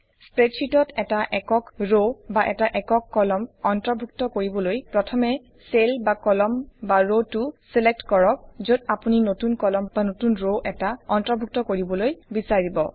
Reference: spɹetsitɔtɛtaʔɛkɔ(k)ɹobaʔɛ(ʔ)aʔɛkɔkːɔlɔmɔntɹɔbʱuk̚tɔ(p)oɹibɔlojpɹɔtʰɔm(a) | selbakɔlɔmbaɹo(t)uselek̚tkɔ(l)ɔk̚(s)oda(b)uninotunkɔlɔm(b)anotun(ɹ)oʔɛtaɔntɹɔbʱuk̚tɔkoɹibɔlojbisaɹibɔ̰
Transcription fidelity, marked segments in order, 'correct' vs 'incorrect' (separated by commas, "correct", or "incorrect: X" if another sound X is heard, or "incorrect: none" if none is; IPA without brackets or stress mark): correct, incorrect: t, incorrect: k, incorrect: ɛ, correct, incorrect: ɹ, incorrect: z, incorrect: p, correct, correct